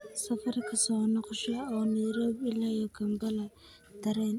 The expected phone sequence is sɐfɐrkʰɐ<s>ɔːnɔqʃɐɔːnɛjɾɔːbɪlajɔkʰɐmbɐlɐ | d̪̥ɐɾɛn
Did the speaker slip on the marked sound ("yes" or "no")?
no